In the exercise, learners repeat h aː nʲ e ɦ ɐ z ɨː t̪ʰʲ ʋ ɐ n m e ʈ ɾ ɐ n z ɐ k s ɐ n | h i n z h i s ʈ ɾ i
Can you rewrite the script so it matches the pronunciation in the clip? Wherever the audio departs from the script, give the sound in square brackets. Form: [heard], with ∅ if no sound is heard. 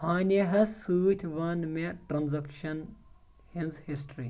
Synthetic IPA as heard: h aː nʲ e ɦ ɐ [s] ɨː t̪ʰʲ ʋ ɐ n m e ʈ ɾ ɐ n z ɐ k [ʃ] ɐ n | h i n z h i s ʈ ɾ i

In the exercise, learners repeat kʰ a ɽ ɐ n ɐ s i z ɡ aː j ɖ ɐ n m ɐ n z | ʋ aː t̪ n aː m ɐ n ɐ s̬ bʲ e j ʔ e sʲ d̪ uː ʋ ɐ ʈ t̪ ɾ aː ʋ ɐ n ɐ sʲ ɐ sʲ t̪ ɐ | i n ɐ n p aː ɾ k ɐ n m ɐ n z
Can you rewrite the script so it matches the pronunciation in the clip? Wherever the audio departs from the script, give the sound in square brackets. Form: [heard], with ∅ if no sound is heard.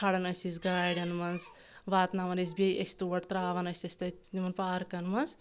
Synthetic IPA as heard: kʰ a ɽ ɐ n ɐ s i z ɡ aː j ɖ ɐ n m ɐ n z | ʋ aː t̪ n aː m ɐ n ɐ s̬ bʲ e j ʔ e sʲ [t̪] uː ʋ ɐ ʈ t̪ ɾ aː ʋ ɐ n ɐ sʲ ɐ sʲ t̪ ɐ | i [m] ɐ n p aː ɾ k ɐ n m ɐ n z

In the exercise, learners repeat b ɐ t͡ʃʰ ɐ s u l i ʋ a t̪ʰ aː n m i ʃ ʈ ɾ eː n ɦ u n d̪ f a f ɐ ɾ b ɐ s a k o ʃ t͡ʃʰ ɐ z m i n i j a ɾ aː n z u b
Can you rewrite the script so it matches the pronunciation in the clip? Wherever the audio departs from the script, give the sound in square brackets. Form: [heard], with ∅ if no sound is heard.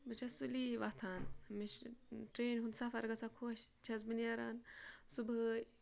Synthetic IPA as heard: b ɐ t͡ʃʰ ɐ s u l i ʋ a t̪ʰ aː n m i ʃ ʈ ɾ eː n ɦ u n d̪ [s] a f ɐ ɾ [ɡ] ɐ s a [kʰ] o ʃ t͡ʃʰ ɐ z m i n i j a ɾ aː n [s] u b

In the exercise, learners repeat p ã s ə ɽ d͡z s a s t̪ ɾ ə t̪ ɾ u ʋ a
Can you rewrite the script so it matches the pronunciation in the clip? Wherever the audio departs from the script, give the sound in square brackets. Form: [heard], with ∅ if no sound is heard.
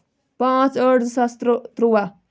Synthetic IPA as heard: p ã [t͡s] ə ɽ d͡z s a s t̪ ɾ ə t̪ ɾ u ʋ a

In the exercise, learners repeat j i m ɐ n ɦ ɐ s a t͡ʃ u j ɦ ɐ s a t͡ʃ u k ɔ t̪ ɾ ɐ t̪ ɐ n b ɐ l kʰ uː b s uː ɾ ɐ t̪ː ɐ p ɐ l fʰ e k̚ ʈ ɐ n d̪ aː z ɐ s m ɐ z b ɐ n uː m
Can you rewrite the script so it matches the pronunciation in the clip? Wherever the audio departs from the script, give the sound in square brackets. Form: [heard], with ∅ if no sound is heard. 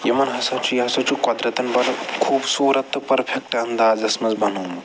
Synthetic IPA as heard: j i m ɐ n ɦ ɐ s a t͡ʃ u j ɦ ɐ s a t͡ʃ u k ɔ [d̪] ɾ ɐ t̪ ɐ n b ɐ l kʰ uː b s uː ɾ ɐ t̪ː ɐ p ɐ [ɾ] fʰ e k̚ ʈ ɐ n d̪ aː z ɐ s m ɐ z b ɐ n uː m

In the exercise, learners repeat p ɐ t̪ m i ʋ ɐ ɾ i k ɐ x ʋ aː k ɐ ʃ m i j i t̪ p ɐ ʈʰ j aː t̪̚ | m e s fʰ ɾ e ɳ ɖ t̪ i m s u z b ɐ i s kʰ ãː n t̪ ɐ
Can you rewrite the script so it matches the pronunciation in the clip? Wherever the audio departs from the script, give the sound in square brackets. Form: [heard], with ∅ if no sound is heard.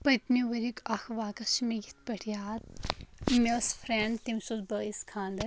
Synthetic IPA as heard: p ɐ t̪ m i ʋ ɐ ɾ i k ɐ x ʋ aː k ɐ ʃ m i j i t̪ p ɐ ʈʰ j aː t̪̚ | m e s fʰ ɾ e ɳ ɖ t̪ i m s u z b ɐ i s kʰ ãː n [d̪] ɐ

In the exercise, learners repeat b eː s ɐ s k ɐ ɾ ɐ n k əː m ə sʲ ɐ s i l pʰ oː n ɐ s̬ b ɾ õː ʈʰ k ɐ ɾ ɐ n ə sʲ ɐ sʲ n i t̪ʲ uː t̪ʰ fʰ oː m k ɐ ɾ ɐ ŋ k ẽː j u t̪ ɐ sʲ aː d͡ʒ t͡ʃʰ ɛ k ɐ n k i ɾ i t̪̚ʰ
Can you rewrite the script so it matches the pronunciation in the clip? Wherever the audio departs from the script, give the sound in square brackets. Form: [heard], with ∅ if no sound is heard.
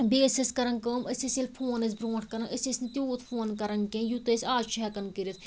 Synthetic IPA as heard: b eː s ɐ s k ɐ ɾ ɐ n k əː m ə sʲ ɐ s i l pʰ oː n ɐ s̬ b ɾ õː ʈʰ k ɐ ɾ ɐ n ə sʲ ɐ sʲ n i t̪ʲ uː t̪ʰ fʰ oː [n] k ɐ ɾ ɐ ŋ k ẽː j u t̪ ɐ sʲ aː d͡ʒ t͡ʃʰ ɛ k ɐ n k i ɾ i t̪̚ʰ

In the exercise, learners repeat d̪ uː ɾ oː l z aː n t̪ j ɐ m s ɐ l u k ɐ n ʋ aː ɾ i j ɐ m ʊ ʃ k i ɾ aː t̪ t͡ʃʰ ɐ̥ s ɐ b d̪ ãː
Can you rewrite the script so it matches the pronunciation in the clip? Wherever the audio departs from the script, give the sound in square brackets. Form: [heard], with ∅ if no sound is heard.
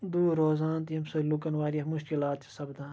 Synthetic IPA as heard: d̪ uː ɾ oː [∅] z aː n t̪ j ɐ m s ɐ l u k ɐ n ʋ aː ɾ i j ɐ m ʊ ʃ k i [l] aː t̪ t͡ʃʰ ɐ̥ s ɐ b d̪ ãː

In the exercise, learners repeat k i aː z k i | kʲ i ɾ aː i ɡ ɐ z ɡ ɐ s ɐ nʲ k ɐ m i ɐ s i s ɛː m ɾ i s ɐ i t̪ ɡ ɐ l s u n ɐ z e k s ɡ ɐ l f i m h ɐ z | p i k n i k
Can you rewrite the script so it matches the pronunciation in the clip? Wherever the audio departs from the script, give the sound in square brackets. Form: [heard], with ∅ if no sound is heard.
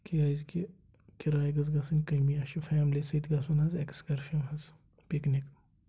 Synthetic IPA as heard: k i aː z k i | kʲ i ɾ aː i ɡ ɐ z ɡ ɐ s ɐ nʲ k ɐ m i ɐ [ʃ] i [f] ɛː m [l] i s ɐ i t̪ ɡ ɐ [∅] s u n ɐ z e k s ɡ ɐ [ɾ] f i m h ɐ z | p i k n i k

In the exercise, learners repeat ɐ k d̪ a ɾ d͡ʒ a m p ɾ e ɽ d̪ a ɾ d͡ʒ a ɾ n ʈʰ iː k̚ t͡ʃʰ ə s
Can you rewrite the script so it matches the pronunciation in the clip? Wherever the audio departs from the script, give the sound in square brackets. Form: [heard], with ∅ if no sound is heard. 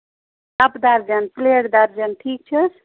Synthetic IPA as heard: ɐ [p] d̪ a ɾ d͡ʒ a [n] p [l] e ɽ d̪ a ɾ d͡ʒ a [∅] n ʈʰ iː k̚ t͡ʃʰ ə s

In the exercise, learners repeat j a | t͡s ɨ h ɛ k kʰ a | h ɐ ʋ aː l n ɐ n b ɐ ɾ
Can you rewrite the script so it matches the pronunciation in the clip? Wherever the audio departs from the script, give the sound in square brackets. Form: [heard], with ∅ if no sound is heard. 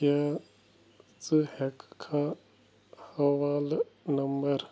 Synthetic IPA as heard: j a | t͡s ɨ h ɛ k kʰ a | h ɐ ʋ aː l n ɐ [m] b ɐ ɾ

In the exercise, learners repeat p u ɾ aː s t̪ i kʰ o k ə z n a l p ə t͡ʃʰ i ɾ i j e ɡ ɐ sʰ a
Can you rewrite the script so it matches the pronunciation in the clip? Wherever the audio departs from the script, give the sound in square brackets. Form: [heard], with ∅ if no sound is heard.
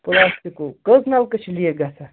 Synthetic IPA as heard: p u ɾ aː s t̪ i [k] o k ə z n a l [k] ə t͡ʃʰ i [l] i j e ɡ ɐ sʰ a

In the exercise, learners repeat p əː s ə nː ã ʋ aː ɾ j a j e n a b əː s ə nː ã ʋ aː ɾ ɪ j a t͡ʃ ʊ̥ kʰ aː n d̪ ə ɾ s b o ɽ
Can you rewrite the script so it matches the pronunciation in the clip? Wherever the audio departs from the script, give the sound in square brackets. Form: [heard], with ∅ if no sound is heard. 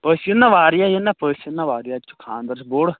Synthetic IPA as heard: p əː s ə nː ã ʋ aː ɾ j a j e n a [p] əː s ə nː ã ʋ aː ɾ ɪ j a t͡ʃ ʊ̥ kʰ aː n d̪ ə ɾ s b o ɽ

